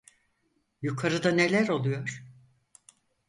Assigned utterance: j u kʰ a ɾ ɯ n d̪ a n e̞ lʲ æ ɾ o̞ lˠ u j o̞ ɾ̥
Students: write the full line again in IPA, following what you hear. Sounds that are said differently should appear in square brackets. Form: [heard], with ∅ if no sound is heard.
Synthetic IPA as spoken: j u kʰ a ɾ ɯ [∅] d̪ a n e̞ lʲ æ ɾ o̞ lˠ u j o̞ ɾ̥